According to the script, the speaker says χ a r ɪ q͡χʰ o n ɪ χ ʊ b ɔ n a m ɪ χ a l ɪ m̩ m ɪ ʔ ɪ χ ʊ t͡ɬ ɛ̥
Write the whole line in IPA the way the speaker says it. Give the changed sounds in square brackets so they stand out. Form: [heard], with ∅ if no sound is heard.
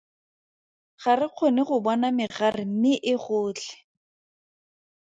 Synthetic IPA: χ a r ɪ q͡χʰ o n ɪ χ ʊ b ɔ n a m ɪ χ a [r] ɪ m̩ m ɪ ʔ ɪ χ [ʊː] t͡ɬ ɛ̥